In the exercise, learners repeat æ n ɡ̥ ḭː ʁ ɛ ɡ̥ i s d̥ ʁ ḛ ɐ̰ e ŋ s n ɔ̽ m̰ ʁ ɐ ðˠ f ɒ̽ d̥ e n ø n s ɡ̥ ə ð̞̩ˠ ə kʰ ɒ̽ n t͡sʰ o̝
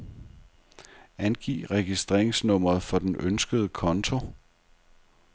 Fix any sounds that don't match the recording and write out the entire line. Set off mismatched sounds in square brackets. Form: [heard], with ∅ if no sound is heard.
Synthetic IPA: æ n ɡ̥ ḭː ʁ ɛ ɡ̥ i s d̥ ʁ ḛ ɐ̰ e ŋ s n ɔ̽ m̰ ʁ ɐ ðˠ f ɒ̽ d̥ e n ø n s ɡ̥ ə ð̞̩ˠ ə kʰ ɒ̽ n t͡sʰ o̝